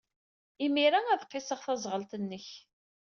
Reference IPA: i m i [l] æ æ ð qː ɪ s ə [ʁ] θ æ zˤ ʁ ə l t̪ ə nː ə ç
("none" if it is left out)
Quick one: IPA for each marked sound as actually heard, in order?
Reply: ɾ, ʁ

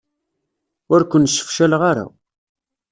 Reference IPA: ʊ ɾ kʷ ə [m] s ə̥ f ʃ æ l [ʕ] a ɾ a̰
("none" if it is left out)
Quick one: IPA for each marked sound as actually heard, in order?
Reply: n, ʁ

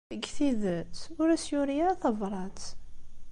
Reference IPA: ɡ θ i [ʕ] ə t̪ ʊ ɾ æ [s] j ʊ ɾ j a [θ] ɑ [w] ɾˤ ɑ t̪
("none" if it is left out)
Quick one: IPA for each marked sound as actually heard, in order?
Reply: ð, s, θ, v

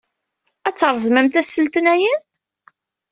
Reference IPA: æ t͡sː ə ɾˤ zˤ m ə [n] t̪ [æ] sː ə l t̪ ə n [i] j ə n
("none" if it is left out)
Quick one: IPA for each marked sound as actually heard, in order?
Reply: m, æ, æ

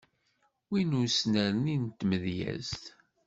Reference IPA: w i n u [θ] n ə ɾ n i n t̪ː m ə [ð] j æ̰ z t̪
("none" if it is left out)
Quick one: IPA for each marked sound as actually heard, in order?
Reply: s, ð

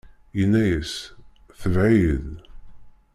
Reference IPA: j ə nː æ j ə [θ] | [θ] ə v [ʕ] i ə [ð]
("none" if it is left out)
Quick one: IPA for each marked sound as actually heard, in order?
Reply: s, θ, ʕ, ð

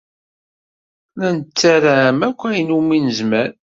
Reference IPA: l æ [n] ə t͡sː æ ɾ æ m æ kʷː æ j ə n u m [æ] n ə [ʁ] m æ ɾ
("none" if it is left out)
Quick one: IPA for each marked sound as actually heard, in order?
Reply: n, i, z

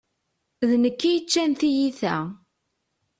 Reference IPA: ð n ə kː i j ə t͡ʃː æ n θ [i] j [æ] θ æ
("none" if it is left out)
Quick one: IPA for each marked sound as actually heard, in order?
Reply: i, i

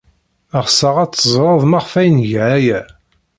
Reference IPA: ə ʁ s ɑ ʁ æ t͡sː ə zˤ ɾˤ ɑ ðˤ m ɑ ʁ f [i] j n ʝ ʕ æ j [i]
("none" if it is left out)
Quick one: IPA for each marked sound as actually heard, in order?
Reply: æ, æ

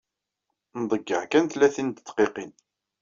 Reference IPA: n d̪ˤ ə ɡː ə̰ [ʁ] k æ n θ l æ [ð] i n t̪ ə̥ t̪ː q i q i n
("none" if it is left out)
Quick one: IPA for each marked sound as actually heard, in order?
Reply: ʕ, θ

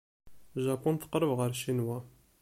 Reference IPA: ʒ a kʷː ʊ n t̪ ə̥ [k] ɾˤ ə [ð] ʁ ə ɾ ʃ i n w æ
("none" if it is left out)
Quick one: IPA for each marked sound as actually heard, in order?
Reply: q, v

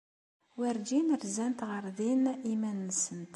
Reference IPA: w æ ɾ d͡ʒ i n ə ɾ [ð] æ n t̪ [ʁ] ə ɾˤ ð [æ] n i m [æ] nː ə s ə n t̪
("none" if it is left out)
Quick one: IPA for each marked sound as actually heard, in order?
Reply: z, ʁ, i, æ

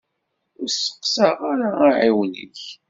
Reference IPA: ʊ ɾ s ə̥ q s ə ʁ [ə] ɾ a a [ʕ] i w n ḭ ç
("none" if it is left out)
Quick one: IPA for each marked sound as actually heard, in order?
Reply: a, ʕ

